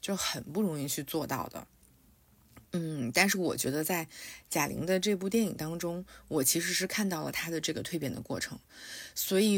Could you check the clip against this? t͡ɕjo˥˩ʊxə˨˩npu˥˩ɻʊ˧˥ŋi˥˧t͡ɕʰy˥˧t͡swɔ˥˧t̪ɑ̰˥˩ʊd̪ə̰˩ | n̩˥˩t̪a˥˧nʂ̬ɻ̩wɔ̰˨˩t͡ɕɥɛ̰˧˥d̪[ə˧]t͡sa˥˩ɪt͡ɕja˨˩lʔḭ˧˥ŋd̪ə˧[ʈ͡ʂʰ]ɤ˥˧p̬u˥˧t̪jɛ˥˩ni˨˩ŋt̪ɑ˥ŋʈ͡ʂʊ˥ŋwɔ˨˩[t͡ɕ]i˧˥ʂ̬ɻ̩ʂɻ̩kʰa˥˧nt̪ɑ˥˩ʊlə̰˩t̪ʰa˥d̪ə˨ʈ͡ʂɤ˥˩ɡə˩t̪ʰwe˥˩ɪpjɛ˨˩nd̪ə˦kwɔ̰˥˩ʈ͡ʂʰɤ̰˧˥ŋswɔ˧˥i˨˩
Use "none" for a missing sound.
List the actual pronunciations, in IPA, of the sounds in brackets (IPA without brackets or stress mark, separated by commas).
ə˧, ʈ͡ʂ, t͡ɕʰ